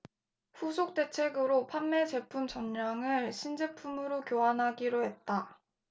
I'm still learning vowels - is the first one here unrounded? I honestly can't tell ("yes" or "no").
no